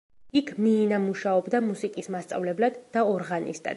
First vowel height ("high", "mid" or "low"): high